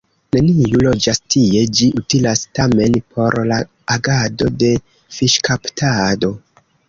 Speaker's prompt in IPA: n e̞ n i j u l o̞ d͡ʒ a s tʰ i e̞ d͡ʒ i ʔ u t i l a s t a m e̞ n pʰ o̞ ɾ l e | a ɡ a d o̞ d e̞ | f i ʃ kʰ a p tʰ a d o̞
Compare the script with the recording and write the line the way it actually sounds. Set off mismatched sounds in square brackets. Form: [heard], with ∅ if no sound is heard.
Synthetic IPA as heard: n e̞ n i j u l o̞ d͡ʒ a s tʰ i e̞ d͡ʒ i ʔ u t i l a s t a m e̞ n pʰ o̞ ɾ l [a] | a ɡ a d o̞ d e̞ | f i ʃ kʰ a p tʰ a d o̞